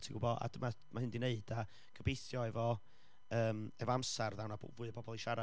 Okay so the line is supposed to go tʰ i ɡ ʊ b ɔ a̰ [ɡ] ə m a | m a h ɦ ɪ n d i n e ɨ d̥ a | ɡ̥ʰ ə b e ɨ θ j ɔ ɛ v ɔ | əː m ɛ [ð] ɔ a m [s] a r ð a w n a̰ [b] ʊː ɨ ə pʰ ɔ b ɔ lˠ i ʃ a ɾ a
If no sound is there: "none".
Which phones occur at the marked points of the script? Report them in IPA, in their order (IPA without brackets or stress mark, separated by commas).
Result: d, v, s, v